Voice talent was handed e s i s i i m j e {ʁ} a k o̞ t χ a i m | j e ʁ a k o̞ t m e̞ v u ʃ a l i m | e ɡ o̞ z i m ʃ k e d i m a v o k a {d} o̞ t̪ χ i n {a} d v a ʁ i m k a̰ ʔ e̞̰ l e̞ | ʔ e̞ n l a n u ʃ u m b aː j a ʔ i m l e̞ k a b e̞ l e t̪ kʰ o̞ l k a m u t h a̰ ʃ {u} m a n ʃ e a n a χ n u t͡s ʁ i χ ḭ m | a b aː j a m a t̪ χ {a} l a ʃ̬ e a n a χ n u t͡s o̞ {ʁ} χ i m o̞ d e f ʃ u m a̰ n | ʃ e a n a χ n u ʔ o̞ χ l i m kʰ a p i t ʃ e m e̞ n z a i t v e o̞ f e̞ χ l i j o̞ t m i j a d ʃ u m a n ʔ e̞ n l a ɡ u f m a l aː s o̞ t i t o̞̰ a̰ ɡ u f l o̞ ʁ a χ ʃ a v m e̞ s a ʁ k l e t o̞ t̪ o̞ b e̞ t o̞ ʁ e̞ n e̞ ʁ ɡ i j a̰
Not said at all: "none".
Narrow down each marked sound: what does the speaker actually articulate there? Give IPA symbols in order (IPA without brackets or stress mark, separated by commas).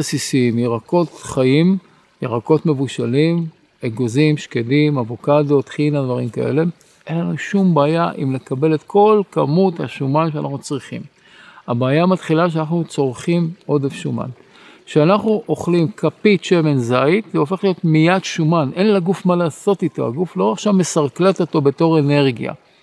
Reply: ʁ, d, a, u, i, ʁ